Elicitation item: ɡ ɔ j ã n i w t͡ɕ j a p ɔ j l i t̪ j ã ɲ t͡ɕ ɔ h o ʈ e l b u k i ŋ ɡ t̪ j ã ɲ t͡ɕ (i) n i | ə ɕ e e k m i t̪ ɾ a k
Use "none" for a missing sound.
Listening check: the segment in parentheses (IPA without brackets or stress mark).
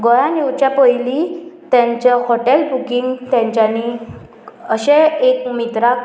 a